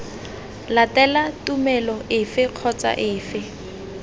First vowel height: low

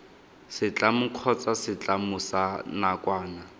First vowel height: high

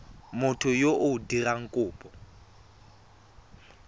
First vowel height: high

